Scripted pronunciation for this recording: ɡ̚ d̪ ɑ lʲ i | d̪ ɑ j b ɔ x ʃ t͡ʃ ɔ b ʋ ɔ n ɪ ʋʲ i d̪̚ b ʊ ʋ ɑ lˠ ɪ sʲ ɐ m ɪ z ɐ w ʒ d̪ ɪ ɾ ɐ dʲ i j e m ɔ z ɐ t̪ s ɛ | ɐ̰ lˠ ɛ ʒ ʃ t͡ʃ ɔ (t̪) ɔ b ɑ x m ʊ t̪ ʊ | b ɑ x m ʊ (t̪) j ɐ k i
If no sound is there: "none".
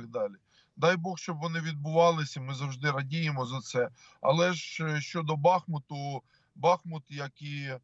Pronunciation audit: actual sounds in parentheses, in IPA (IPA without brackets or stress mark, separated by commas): d̪, t̪